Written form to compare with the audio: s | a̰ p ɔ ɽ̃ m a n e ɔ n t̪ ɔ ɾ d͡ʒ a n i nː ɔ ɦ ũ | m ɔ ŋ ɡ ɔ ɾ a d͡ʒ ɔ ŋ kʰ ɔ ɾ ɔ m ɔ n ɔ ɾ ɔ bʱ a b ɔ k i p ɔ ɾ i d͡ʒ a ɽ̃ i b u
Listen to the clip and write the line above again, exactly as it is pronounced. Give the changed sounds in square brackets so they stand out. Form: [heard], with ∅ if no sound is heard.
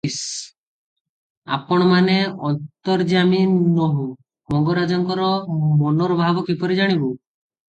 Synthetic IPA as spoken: s | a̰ p ɔ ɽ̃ m a n e ɔ n t̪ ɔ ɾ d͡ʒ a [m] i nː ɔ ɦ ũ | m ɔ ŋ ɡ ɔ ɾ a d͡ʒ ɔ ŋ [k] ɔ ɾ ɔ m ɔ n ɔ ɾ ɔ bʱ a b ɔ k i p ɔ ɾ i d͡ʒ a ɽ̃ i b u

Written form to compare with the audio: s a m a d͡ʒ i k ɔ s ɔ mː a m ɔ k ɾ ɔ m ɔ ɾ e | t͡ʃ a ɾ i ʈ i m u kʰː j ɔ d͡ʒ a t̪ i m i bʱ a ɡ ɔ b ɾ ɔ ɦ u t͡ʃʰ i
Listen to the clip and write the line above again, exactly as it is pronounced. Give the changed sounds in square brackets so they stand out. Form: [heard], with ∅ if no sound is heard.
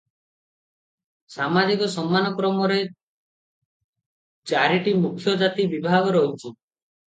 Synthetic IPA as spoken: s a m a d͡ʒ i k ɔ s ɔ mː a [n] ɔ k ɾ ɔ m ɔ ɾ e | t͡ʃ a ɾ i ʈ i m u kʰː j ɔ d͡ʒ a t̪ i [b] i bʱ a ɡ ɔ [∅] ɾ ɔ ɦ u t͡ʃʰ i

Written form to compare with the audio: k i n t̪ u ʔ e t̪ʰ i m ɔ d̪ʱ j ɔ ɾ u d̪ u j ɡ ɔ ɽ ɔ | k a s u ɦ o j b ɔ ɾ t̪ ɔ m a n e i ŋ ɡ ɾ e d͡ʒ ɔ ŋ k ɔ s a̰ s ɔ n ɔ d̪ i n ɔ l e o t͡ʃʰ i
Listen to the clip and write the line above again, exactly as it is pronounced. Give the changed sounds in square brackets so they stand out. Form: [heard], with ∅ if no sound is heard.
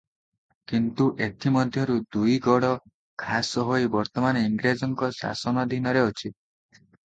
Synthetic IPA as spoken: k i n t̪ u ʔ e t̪ʰ i m ɔ d̪ʱ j ɔ ɾ u d̪ u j ɡ ɔ ɽ ɔ | [kʰ] a s [ɔ] ɦ o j b ɔ ɾ t̪ ɔ m a n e i ŋ ɡ ɾ e d͡ʒ ɔ ŋ k ɔ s a̰ s ɔ n ɔ d̪ i n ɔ [ɾ] e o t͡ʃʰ i

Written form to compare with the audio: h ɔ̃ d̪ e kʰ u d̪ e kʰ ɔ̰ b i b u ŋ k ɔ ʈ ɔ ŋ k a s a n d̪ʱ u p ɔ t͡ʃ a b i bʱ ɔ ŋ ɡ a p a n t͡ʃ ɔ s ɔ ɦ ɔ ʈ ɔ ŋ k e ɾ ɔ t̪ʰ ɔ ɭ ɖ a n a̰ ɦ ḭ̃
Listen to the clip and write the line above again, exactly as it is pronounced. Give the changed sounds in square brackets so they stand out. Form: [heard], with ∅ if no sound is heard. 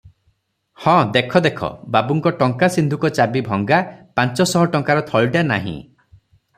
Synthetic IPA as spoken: h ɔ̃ d̪ e kʰ [ɔ] d̪ e kʰ ɔ̰ b [a] b u ŋ k ɔ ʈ ɔ ŋ k a s [i] n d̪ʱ u [k] ɔ t͡ʃ a b i bʱ ɔ ŋ ɡ a p a n t͡ʃ ɔ s ɔ ɦ ɔ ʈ ɔ ŋ k [a] ɾ ɔ t̪ʰ ɔ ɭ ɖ a n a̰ ɦ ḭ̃

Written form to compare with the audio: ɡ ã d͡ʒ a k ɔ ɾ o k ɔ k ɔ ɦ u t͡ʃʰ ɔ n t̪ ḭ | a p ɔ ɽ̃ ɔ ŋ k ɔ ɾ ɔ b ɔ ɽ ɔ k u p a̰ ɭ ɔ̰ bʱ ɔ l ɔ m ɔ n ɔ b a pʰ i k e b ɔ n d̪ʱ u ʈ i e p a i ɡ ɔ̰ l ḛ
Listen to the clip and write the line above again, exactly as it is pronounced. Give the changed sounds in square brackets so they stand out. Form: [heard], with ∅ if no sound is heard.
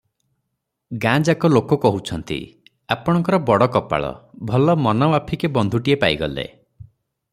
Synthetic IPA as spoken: ɡ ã d͡ʒ a k ɔ [l] o k ɔ k ɔ ɦ u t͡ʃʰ ɔ n t̪ ḭ | a p ɔ ɽ̃ ɔ ŋ k ɔ ɾ ɔ b ɔ ɽ ɔ k [ɔ] p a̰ ɭ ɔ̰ bʱ ɔ l ɔ m ɔ n ɔ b a pʰ i k e b ɔ n d̪ʱ u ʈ i e p a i ɡ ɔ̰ l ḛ

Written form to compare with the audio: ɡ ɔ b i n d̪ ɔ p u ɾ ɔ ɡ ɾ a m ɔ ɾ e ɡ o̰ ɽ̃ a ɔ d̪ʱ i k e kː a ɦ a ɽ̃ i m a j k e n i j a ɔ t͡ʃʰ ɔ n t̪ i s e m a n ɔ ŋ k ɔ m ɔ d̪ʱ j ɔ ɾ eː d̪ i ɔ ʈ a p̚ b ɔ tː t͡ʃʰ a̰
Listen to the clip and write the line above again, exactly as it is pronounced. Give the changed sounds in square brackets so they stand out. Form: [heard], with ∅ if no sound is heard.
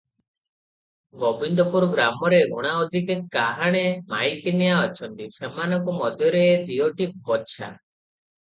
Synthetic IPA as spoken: ɡ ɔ b i n d̪ ɔ p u ɾ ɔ ɡ ɾ a m ɔ ɾ e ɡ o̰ ɽ̃ a ɔ d̪ʱ i k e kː a ɦ a ɽ̃ [e] m a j k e n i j a ɔ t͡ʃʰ ɔ n t̪ i s e m a n ɔ ŋ k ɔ m ɔ d̪ʱ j ɔ ɾ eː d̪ i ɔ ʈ [i] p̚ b ɔ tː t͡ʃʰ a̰

